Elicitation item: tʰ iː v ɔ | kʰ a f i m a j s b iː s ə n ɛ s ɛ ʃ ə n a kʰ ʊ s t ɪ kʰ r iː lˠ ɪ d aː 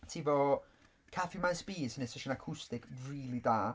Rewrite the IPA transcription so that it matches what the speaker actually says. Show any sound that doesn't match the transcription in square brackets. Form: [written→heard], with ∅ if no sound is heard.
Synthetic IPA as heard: tʰ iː v ɔ | kʰ a f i m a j s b iː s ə n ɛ s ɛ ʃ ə n a kʰ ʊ s t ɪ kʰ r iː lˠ [ɪ→i] d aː